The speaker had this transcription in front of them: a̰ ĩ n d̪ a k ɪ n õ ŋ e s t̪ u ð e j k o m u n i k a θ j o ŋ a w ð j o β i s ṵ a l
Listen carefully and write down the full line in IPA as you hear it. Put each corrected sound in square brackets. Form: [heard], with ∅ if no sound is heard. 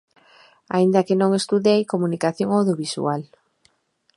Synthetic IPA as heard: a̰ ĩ n d̪ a k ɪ n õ ŋ e s t̪ u ð e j k o m u n i k a θ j o ŋ a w ð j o β i s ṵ a l